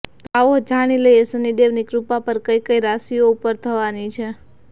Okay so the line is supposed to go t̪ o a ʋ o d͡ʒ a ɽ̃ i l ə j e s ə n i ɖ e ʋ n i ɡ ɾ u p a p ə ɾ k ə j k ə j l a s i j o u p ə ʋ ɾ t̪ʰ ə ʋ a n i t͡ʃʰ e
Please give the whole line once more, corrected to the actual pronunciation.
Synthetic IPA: t̪ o a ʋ o d͡ʒ a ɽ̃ i l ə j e s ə n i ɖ e ʋ n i k ɾ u p a p ə ɾ k ə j k ə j ɾ a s i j o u p ə ɾ t̪ʰ ə ʋ a n i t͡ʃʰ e

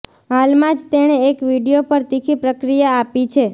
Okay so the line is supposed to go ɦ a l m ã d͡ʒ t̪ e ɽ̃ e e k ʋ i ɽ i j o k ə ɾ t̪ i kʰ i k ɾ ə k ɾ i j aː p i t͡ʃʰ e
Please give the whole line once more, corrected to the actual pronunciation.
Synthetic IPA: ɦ a l m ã d͡ʒ t̪ e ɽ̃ e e k ʋ i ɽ i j o p ə ɾ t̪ i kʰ i p ɾ ə k ɾ i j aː p i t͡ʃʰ e

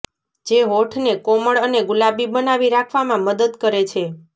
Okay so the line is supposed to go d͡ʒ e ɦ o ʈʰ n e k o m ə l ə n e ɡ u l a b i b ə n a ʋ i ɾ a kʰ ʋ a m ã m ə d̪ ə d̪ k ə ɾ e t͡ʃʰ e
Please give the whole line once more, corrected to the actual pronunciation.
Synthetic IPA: d͡ʒ e ɦ o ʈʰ n e k o m ə ɭ ə n e ɡ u l a b i b ə n a ʋ i ɾ a kʰ ʋ a m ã m ə d̪ ə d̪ k ə ɾ e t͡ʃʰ e

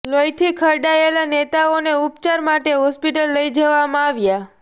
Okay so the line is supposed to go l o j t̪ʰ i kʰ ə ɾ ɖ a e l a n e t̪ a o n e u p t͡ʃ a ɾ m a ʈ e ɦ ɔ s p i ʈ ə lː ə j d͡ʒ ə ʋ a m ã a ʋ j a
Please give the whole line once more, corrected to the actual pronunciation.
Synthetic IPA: l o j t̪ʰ i kʰ ə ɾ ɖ a e l a n e t̪ a o n e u p t͡ʃ a ɾ m a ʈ e ɦ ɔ s p i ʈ ə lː ə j d͡ʒ ə ʋ a m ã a ʋ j a

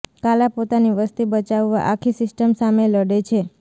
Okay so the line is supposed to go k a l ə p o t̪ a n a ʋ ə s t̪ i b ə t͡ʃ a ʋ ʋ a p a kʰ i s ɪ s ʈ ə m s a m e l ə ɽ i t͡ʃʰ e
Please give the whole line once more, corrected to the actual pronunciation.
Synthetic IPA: k a l a p o t̪ a n i ʋ ə s t̪ i b ə t͡ʃ a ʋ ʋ a ʔ a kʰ i s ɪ s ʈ ə m s a m e l ə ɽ e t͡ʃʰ e

